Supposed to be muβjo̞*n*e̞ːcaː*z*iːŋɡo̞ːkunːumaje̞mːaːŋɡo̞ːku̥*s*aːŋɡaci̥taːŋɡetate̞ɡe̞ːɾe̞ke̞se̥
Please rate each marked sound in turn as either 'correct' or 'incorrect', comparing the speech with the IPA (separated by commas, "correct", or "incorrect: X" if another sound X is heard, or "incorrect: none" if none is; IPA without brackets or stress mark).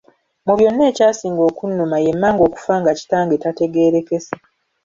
incorrect: nː, incorrect: s, incorrect: f